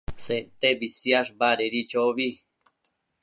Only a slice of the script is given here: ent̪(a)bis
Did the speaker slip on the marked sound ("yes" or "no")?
yes